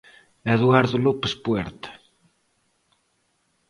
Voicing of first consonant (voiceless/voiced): voiced